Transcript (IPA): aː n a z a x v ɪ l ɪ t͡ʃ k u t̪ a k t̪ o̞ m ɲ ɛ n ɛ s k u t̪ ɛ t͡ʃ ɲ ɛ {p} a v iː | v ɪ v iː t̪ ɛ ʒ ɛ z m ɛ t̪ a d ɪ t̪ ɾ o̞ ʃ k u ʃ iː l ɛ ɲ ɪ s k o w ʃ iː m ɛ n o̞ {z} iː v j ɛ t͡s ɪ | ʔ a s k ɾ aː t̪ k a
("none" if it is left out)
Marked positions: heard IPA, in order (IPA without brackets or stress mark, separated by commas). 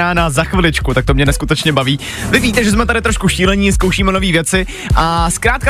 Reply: b, v